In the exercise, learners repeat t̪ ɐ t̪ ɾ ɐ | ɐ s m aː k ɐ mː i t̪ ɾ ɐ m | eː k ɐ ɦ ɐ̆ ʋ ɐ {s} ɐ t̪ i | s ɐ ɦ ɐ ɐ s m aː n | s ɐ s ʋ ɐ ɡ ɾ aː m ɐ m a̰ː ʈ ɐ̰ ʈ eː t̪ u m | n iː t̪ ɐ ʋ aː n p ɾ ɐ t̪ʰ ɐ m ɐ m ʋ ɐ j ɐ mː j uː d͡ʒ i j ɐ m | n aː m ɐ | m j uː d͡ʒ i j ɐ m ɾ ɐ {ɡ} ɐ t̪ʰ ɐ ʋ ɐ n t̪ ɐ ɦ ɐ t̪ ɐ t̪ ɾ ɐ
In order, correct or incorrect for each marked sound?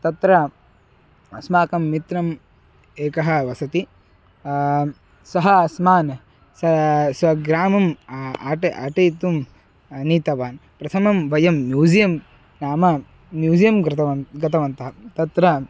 correct, correct

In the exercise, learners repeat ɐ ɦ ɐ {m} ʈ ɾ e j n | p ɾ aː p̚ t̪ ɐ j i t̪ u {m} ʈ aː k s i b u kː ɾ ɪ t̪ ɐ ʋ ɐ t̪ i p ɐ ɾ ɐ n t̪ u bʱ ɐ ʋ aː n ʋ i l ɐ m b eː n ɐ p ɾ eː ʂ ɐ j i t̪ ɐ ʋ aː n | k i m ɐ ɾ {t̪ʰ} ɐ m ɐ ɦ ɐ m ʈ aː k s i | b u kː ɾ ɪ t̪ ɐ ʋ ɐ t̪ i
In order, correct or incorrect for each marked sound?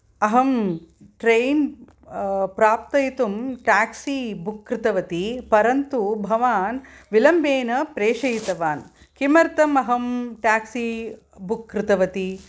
correct, correct, incorrect: t̪

